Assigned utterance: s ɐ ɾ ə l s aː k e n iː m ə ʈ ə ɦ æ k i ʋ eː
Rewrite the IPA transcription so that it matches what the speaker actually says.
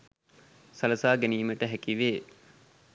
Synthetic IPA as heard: s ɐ l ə s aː ɡ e n iː m ə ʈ ə ɦ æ k i ʋ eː